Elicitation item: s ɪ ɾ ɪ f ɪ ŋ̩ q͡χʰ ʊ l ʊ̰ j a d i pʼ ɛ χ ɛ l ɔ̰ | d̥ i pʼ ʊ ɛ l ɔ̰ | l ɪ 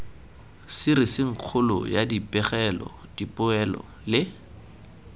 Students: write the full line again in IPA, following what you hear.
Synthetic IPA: s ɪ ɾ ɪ s ɪ ŋ̩ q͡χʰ ʊ l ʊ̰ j a d i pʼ ɛ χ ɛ l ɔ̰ | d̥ i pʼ ʊ ɛ l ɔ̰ | l ɪ